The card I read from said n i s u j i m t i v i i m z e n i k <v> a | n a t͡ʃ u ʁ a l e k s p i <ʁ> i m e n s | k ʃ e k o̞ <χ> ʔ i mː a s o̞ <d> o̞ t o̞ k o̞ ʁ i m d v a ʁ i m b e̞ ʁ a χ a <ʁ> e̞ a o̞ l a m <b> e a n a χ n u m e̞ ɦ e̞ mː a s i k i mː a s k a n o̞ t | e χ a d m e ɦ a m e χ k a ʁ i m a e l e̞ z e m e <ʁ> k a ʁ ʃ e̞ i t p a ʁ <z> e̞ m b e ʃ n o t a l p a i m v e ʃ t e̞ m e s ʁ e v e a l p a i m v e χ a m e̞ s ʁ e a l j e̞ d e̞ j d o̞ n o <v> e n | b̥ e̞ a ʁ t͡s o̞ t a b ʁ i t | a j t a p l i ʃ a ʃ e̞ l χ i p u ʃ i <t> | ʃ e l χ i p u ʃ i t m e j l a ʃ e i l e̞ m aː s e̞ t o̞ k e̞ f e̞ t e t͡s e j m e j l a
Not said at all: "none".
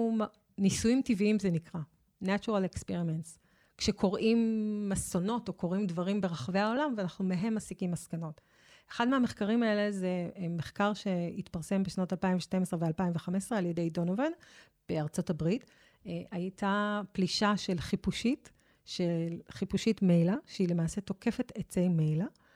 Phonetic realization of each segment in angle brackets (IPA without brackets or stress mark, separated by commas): ʁ, ʁ, ʁ, n, v, v, χ, s, v, t